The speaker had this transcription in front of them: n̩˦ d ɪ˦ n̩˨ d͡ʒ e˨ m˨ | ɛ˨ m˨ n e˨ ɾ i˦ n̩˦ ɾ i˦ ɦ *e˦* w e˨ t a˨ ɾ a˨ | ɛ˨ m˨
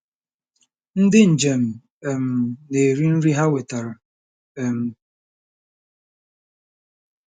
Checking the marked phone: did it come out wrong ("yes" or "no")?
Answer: yes